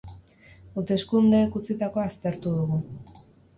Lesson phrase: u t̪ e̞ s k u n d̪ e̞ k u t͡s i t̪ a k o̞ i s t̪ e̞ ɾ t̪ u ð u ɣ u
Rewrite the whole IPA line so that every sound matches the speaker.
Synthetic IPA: u t̪ e̞ s k u n d̪ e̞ k u t͡s i t̪ a k o̞ a s t̪ e̞ ɾ t̪ u ð u ɣ u